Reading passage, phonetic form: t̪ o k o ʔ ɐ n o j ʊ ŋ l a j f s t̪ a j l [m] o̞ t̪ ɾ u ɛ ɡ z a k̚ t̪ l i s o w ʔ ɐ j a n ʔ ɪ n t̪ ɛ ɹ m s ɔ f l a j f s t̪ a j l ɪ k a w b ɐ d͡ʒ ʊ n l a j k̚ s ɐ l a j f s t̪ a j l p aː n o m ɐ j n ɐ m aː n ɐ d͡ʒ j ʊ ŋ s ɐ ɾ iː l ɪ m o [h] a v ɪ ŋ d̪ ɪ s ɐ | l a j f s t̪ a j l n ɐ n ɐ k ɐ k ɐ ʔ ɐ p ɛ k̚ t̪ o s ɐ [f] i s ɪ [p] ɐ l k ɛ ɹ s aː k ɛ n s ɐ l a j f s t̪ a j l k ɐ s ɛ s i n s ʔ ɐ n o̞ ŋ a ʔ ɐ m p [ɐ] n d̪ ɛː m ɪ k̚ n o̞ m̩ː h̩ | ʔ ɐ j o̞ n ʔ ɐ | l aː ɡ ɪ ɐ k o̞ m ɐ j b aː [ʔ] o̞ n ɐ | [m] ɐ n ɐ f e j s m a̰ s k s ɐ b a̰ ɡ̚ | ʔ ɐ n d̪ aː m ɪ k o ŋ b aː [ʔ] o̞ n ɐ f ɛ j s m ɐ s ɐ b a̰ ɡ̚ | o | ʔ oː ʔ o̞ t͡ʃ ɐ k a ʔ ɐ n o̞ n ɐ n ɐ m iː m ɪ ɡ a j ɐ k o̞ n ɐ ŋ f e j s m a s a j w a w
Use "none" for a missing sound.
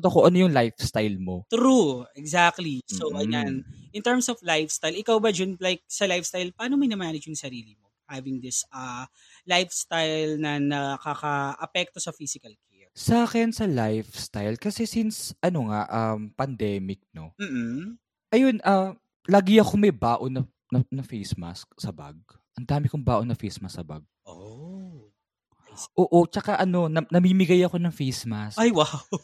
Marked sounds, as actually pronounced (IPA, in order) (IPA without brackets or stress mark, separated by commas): m, h, f, k, ɐ, ʔ, n, ʔ